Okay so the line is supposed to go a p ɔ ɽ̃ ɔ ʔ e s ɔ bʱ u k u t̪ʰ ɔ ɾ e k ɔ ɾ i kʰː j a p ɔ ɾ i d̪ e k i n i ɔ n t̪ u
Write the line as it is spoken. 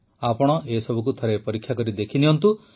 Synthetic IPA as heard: a p ɔ ɽ̃ ɔ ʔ e s ɔ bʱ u k u t̪ʰ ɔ ɾ e p ɔ ɾ i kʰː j a k ɔ ɾ i d̪ e kʰ i n i ɔ n t̪ u